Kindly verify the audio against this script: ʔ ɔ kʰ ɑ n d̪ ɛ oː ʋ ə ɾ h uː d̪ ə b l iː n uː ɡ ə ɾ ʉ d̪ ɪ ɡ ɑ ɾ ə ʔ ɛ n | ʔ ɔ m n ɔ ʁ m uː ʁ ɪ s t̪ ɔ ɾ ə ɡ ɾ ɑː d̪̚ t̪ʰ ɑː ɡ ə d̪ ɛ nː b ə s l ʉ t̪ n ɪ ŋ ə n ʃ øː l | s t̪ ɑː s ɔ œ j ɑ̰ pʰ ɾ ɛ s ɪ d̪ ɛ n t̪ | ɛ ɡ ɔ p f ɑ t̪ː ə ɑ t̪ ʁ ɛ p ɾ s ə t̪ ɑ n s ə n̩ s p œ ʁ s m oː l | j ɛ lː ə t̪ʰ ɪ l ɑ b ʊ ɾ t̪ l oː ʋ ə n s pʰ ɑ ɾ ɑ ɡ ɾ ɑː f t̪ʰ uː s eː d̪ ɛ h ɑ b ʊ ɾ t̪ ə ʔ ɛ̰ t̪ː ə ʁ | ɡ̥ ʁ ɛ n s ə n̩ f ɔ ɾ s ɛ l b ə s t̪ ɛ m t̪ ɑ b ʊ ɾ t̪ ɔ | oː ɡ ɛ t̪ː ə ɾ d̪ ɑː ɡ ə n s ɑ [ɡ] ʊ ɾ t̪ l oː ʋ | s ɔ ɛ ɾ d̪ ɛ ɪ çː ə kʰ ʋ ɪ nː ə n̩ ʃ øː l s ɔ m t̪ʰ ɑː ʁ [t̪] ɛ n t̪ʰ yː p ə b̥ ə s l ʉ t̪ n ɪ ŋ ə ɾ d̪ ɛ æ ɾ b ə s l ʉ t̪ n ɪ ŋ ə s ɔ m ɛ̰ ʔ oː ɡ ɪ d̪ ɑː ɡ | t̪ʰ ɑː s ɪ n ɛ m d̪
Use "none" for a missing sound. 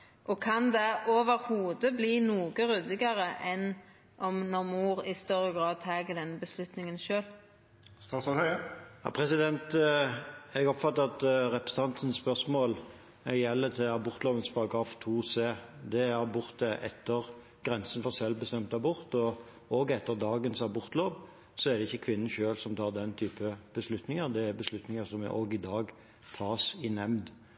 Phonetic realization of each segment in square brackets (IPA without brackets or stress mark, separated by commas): b, d̪